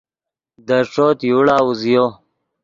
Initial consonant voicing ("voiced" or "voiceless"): voiced